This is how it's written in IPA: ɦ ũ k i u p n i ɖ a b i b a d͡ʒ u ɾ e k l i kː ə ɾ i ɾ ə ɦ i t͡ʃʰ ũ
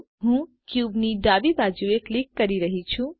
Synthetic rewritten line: ɦ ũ k j u b n i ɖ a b i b a d͡ʒ u e k l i kː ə ɾ i ɾ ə ɦ i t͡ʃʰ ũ